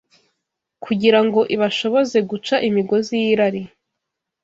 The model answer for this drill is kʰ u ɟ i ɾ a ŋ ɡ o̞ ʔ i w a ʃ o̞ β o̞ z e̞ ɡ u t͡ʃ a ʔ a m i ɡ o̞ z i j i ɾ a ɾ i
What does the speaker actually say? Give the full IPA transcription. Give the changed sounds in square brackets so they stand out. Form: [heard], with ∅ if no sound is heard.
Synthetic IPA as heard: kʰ u ɟ i ɾ a ŋ ɡ o̞ ʔ i [β] a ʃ o̞ β o̞ z e̞ ɡ u t͡ʃ a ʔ [i] m i ɡ o̞ z i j i ɾ a ɾ i